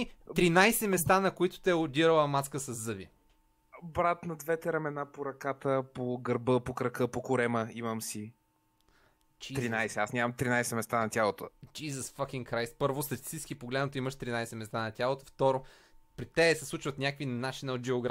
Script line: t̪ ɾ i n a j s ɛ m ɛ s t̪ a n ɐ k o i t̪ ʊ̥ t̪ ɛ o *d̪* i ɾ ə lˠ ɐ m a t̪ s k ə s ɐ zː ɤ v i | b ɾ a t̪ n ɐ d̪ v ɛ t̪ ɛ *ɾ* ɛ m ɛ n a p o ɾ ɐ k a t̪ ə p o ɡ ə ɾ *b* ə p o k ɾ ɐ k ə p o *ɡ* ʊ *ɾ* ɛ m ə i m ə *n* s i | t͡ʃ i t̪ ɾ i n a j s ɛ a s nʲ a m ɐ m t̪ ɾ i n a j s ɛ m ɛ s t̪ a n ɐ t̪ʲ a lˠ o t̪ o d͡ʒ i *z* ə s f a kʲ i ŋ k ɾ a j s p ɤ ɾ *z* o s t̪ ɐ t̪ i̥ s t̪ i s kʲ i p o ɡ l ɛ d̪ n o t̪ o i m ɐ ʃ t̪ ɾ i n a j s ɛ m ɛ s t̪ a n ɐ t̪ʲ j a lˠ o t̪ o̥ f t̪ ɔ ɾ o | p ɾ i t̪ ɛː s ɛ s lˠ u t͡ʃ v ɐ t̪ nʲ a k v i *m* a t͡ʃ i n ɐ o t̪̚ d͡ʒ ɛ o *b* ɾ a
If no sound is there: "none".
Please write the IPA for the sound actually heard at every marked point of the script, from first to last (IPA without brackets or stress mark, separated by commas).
d̪, ɾ, b, k, ɾ, m, z, v, n, ɡ